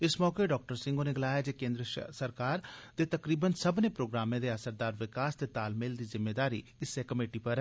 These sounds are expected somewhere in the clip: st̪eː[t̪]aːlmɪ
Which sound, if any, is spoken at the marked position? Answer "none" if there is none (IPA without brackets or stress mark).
t̪